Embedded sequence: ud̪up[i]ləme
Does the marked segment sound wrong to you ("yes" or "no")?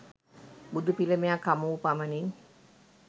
no